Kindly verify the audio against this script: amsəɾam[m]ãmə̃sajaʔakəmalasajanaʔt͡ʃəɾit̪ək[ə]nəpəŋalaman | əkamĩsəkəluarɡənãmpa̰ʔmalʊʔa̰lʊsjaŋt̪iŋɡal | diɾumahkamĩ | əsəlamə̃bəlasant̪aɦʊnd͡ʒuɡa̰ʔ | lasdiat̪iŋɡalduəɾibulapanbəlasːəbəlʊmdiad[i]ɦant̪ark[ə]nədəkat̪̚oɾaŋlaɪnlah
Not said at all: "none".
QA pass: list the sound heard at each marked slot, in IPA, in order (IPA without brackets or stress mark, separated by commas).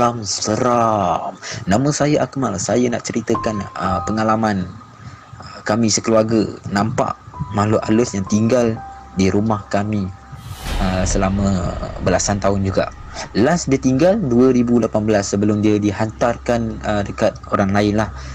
n, a, i, a